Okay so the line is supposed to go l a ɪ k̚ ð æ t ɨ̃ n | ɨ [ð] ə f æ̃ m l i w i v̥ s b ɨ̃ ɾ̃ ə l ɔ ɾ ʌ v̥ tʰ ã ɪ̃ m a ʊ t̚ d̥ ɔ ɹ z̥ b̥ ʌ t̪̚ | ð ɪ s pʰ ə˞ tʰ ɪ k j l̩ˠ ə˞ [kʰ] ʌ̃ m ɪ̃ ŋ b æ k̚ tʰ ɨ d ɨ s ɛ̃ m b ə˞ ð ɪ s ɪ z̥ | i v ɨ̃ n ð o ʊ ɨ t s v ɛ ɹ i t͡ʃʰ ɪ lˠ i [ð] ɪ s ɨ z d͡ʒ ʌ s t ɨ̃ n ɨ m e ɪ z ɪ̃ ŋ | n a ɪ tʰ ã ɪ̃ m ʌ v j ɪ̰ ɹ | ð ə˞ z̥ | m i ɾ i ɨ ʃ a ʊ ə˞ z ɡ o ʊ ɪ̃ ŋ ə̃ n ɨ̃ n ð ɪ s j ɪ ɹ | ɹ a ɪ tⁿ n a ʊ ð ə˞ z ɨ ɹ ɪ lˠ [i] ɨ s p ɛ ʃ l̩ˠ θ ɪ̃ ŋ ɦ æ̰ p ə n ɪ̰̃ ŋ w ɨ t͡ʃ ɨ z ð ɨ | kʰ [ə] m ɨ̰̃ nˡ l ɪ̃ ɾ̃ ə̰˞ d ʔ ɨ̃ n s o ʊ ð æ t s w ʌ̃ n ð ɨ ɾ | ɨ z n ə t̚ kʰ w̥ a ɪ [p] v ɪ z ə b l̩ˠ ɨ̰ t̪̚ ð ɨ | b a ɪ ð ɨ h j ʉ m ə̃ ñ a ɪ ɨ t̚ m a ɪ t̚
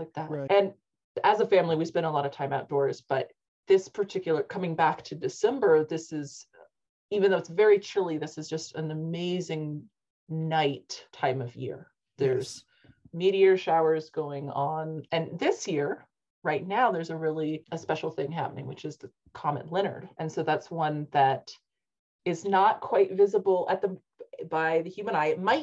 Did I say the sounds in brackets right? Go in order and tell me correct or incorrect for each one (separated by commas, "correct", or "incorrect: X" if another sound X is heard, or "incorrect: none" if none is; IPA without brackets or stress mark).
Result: incorrect: z, correct, correct, correct, incorrect: ɑ, incorrect: t